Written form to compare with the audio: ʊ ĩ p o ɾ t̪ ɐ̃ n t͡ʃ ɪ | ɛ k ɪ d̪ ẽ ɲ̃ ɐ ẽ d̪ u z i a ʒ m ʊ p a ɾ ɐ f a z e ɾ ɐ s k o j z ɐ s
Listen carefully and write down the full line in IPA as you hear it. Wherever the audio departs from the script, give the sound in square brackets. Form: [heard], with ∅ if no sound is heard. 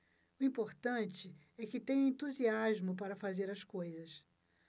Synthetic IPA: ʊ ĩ p o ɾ t̪ ɐ̃ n t͡ʃ ɪ | ɛ k ɪ [t̪] ẽ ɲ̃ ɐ ẽ [t̪] u z i a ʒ m ʊ p a ɾ ɐ f a z e ɾ ɐ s k o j z ɐ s